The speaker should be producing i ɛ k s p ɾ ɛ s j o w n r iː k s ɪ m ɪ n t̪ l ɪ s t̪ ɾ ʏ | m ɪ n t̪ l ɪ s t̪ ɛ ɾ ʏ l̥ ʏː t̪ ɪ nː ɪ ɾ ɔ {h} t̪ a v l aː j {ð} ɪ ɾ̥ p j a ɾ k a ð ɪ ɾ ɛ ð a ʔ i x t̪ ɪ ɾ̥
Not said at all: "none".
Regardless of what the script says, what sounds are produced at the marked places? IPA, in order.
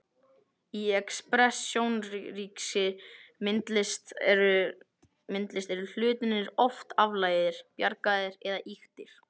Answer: f, ð

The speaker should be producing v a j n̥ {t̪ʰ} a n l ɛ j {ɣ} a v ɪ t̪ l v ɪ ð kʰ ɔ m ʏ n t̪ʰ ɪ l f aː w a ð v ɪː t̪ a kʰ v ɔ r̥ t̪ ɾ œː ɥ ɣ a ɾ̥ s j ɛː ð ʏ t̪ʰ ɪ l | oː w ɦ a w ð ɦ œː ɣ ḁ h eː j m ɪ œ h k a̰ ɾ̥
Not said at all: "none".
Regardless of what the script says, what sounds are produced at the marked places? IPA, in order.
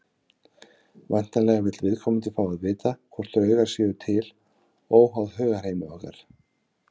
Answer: t̪, ɣ

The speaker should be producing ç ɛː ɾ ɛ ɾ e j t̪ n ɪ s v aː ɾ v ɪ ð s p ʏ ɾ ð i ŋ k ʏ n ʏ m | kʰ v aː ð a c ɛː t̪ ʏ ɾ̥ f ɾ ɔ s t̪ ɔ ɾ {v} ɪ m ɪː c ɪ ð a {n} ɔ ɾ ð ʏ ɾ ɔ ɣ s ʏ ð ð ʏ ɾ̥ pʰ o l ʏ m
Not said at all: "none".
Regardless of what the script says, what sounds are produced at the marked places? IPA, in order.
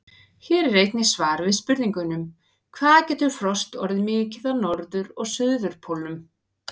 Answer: ð, n

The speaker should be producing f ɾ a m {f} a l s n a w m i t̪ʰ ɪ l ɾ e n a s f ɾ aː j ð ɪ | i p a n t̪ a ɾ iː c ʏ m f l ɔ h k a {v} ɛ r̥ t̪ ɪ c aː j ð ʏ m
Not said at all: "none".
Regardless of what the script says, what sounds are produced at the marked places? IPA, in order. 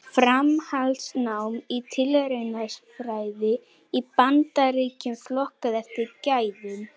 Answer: h, ð

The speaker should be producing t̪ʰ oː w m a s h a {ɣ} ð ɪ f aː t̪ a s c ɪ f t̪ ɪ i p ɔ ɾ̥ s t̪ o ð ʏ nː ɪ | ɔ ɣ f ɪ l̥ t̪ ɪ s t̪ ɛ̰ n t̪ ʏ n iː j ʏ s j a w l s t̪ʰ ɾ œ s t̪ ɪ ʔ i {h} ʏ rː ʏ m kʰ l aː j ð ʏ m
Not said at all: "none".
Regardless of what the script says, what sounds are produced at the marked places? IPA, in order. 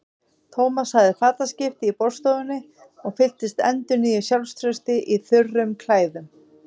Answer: ɣ, θ

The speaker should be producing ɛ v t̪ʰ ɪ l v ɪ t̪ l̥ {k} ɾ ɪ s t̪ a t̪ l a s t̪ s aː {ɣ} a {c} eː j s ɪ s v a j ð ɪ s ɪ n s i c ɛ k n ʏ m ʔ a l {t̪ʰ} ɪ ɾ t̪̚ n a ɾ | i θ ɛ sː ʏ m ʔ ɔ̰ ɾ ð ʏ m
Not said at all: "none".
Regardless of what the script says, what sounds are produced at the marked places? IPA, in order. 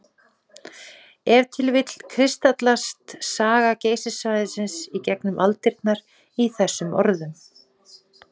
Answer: kʰ, ɣ, c, t̪

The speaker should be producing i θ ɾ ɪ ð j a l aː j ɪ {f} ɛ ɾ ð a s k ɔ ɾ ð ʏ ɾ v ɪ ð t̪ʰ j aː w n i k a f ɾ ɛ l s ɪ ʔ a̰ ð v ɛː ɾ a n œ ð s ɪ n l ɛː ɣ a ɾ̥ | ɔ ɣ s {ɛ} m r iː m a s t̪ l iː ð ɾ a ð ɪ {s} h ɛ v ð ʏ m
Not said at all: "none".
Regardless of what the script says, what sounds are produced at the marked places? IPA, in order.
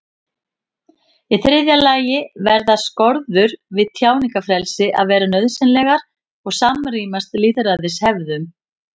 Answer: v, a, s

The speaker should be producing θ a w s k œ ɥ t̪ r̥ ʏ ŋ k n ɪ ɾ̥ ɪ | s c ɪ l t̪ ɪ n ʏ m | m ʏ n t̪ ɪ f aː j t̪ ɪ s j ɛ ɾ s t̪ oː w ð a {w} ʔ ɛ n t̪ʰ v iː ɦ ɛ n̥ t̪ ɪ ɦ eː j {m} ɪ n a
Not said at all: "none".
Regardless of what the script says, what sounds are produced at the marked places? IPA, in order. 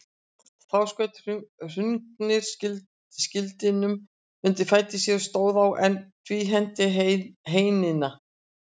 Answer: w, n

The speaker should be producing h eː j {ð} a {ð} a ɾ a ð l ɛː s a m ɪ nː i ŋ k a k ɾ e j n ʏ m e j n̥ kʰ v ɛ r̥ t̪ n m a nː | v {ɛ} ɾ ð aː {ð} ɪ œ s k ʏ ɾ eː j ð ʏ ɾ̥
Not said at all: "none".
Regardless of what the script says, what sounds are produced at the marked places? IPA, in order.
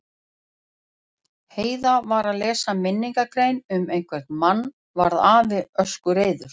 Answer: ð, v, a, v

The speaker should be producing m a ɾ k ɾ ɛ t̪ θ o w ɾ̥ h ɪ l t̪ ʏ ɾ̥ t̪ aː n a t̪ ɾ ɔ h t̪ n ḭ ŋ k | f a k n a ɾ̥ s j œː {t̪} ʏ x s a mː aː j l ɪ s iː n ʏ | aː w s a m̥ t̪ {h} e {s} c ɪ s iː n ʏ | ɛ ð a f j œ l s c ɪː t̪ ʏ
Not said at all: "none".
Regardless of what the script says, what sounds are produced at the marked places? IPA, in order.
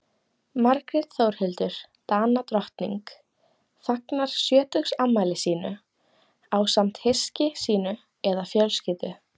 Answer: t̪, h, s

